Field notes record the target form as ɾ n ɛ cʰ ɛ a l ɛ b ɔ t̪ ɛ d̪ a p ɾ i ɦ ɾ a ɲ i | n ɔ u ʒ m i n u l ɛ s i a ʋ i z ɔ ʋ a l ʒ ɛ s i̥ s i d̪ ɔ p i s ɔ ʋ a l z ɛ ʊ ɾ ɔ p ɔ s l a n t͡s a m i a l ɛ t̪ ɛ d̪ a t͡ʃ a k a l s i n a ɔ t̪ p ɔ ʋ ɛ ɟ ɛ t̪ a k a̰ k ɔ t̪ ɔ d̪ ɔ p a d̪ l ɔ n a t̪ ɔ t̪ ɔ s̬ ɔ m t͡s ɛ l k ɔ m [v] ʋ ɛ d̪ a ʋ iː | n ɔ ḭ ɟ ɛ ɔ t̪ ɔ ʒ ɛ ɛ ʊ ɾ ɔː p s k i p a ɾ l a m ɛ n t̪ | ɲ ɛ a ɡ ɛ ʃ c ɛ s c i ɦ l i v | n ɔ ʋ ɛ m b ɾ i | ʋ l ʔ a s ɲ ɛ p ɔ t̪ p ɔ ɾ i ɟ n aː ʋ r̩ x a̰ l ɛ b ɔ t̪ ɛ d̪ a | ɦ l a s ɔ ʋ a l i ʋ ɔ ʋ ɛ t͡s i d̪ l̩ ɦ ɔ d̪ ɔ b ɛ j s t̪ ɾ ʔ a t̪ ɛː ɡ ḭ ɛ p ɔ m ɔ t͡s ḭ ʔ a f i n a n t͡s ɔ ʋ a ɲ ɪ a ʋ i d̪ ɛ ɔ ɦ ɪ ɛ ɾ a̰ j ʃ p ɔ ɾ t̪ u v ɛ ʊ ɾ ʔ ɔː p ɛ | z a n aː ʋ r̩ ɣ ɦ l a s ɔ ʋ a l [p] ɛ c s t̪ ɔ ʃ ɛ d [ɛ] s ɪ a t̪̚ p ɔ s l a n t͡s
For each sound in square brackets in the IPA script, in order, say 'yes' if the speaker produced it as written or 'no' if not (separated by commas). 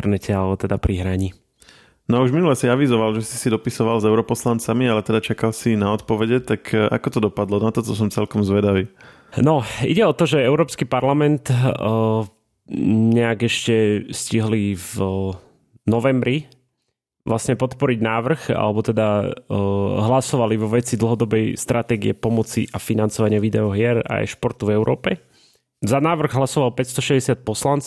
no, yes, yes